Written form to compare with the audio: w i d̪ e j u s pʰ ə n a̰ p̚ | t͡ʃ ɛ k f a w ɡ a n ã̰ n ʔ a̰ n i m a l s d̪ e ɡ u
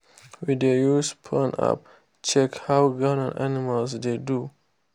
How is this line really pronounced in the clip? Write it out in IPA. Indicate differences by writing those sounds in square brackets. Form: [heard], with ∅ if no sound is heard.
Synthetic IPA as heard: w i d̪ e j u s pʰ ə n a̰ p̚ | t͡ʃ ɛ k [h] a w ɡ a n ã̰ n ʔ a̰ n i m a l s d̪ e [d] u